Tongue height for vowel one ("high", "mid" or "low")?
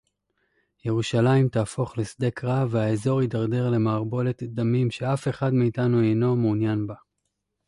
mid